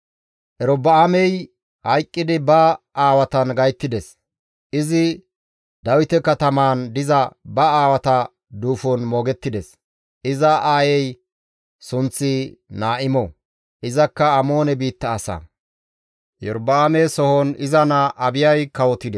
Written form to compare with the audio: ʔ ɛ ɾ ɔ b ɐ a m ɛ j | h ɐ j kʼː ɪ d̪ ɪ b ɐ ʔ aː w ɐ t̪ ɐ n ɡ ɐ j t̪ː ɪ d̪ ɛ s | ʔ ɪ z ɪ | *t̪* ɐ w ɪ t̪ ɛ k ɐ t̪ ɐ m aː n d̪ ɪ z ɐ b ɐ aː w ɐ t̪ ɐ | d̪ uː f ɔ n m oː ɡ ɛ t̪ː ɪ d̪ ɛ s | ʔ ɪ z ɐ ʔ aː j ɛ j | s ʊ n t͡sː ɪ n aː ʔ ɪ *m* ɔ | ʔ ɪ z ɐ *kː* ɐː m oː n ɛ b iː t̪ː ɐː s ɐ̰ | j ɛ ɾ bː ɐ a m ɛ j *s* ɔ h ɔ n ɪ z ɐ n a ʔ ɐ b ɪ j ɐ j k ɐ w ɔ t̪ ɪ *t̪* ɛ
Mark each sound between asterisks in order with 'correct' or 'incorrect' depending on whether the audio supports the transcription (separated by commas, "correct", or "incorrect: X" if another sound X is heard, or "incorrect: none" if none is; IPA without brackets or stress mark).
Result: incorrect: d̪, correct, correct, correct, incorrect: d̪